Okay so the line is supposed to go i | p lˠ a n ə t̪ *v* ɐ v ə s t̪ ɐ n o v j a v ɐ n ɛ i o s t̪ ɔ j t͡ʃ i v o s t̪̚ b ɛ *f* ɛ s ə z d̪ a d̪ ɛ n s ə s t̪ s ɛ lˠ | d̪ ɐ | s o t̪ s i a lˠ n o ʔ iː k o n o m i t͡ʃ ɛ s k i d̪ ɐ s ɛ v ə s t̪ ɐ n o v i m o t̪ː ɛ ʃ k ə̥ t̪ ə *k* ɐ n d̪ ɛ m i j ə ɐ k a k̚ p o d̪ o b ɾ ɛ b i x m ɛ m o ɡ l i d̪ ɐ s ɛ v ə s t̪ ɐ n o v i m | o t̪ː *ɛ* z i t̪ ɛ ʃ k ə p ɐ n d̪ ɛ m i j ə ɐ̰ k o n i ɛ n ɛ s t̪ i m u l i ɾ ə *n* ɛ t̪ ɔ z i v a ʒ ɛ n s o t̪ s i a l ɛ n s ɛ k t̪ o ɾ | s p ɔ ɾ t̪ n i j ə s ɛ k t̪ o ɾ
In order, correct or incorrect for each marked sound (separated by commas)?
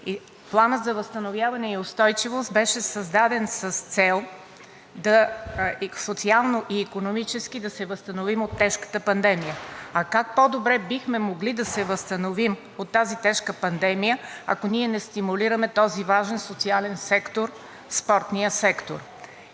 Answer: incorrect, incorrect, incorrect, incorrect, incorrect